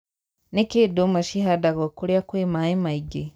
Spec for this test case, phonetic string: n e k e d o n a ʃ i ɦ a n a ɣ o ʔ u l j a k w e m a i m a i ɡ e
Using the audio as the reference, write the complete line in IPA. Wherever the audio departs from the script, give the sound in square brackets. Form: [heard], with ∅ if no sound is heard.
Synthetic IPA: n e k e d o [m] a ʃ i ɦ a [d] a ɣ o [k] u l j a k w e m a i m a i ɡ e